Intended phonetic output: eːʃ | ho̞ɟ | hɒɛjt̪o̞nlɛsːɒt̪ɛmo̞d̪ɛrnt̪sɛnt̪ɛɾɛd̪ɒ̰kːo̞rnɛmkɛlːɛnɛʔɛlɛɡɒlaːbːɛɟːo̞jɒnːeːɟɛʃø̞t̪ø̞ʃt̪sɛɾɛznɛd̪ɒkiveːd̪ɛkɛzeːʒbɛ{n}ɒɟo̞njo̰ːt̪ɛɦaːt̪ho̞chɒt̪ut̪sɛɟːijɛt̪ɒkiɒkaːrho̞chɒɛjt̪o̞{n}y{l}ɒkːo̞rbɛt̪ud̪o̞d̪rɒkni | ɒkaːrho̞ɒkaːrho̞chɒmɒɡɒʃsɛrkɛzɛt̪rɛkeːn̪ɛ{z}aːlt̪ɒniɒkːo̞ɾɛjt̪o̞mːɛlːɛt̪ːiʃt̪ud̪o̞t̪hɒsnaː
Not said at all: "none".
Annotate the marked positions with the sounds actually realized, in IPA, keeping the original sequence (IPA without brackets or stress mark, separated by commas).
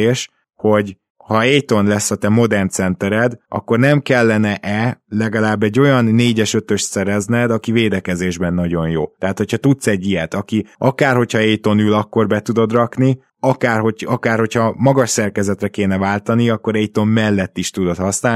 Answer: nː, n, l, v